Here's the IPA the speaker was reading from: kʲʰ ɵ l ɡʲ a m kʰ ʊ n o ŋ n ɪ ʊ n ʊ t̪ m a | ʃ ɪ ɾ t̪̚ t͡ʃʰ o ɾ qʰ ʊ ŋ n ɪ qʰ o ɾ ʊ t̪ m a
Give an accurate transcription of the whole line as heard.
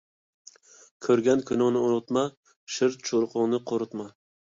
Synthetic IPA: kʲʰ ɵ ɾ ɡʲ a n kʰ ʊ n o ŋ n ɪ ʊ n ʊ t̪ m a | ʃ ɪ ɾ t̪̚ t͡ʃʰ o ɾ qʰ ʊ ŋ n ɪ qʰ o ɾ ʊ t̪ m a